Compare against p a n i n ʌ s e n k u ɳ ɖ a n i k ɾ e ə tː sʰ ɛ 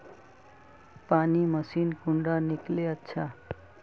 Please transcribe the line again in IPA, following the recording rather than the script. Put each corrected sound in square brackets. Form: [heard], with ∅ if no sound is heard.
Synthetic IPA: p a n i [m] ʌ s [i] n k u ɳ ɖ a n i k [l] e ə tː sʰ [a]